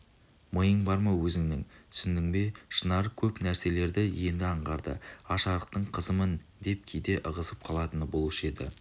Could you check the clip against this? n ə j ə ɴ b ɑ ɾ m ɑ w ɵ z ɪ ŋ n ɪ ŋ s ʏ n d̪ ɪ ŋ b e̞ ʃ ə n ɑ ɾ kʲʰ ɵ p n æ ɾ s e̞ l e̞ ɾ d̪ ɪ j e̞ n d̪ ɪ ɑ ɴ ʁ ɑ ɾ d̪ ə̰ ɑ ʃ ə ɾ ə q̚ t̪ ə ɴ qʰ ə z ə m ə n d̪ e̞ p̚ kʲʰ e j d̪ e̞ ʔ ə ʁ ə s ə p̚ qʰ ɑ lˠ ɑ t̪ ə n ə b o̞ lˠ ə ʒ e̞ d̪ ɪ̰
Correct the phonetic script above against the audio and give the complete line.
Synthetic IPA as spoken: m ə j ə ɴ b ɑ ɾ m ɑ w ɵ z ɪ ŋ n ɪ ŋ s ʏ n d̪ ɪ ŋ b e̞ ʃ ə n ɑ ɾ kʲʰ ɵ p n æ ɾ s e̞ l e̞ ɾ d̪ ɪ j e̞ n d̪ ɪ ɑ ɴ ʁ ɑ ɾ d̪ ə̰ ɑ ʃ ɑ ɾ ə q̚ t̪ ə ɴ qʰ ə z ə m ə n d̪ e̞ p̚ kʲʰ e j d̪ e̞ ʔ ə ʁ ə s ə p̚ qʰ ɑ lˠ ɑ t̪ ə n ə b o̞ lˠ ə ʃ e̞ d̪ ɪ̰